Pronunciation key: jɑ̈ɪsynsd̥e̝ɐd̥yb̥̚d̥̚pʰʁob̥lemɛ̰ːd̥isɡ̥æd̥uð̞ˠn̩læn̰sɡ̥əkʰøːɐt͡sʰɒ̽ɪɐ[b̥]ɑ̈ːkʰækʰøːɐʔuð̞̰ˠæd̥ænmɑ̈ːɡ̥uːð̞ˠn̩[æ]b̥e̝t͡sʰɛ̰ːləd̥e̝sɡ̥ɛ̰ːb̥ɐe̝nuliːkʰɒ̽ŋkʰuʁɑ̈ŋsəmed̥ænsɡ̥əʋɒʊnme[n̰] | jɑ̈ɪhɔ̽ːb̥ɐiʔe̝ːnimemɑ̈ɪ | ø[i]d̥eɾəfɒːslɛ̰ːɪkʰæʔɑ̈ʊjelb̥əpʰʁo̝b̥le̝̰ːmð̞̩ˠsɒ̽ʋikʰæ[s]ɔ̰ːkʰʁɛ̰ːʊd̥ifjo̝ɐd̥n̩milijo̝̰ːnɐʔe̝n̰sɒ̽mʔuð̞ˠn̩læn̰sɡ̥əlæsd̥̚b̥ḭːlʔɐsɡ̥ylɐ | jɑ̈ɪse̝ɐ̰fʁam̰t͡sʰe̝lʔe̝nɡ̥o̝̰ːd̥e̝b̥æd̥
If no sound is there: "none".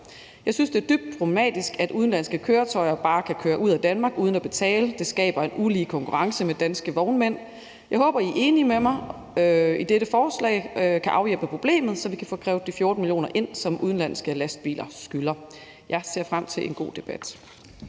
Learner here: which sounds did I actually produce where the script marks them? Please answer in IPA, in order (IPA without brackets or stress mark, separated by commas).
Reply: b̥, æ, n̰, i, f